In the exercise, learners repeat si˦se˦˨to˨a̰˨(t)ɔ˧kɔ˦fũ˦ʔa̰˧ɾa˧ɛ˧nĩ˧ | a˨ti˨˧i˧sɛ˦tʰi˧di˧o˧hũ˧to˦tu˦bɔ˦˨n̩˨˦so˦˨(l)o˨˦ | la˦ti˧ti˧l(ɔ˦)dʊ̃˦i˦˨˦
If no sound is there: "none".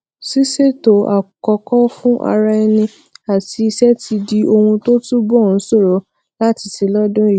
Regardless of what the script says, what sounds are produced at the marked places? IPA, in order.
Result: k, ɾ, ɔ˦

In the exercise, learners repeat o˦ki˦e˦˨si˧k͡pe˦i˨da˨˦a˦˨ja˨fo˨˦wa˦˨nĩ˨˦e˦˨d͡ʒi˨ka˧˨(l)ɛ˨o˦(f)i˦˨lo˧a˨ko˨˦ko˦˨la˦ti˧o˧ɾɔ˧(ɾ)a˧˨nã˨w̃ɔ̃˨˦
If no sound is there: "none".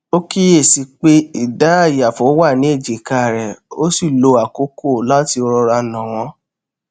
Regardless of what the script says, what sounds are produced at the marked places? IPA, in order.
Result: ɾ, s, ɾ

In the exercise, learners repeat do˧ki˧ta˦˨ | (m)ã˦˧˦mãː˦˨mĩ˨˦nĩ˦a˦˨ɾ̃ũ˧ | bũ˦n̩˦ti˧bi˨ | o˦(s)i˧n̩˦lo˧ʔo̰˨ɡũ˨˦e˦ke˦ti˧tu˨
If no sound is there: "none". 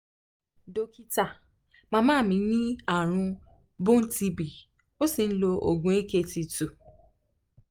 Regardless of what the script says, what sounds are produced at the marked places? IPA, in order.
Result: m, s

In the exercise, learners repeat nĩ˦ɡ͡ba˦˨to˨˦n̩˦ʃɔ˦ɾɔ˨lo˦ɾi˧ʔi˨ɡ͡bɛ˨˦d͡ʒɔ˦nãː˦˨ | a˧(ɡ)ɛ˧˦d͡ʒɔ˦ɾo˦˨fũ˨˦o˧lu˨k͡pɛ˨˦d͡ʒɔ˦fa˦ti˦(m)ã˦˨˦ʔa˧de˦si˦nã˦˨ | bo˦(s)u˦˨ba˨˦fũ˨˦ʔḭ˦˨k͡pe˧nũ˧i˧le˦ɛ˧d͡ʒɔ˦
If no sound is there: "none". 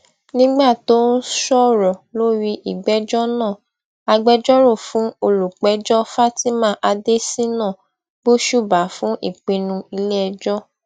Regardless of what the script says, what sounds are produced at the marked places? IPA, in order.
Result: ɡ͡b, m, ʃ

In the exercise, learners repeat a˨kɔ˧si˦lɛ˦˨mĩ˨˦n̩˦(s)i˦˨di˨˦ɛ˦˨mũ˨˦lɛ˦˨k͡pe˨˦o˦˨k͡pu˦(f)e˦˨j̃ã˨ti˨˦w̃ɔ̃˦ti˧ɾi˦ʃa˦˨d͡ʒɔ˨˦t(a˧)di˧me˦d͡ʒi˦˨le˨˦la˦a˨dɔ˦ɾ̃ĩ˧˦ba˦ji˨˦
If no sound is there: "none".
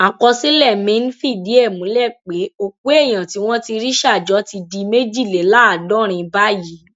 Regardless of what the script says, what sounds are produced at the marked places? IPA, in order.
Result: f, none, i˧

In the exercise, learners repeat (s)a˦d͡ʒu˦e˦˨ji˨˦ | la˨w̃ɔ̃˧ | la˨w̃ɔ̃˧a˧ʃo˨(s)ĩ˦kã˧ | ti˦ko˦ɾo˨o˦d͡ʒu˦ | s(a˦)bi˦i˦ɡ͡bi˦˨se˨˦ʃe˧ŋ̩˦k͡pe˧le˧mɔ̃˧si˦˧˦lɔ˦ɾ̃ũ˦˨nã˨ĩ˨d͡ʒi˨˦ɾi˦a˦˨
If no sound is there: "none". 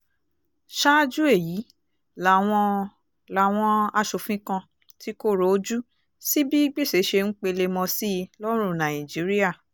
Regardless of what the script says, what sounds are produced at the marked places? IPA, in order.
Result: ʃ, f, i˦

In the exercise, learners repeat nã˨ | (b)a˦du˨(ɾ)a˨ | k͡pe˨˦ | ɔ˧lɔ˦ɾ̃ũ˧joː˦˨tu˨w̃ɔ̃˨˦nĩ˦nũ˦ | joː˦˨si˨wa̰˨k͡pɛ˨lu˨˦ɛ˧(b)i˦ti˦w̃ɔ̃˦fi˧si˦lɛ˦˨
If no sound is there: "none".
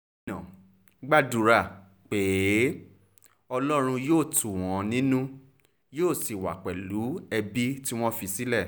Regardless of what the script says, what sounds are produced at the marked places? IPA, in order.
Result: ɡ͡b, ɾ, b

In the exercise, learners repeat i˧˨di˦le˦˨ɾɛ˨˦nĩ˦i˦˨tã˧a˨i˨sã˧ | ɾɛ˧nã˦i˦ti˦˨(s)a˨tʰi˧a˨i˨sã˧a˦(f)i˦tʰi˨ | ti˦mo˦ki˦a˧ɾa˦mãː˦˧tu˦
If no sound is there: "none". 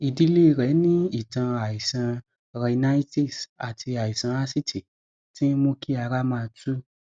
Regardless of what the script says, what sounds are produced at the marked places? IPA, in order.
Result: s, s

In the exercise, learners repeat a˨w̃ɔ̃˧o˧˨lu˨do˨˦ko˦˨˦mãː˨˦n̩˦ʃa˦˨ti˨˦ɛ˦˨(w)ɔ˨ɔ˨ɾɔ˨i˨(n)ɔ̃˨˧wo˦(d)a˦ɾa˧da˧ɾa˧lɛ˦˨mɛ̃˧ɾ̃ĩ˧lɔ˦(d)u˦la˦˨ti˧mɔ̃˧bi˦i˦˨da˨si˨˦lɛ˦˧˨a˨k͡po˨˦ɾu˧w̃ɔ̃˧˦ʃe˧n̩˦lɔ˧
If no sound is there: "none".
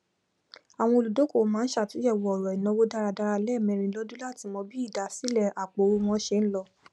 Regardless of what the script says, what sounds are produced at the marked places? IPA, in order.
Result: w, n, d, d

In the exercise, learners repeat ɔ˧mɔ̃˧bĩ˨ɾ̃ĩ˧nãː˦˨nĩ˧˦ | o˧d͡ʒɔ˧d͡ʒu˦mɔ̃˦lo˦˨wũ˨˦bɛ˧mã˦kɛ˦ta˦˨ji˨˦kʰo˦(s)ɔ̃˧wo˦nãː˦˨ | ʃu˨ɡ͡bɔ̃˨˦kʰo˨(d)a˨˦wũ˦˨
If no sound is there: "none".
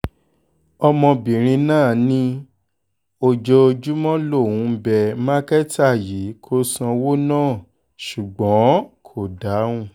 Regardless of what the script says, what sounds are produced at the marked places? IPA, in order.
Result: s, d

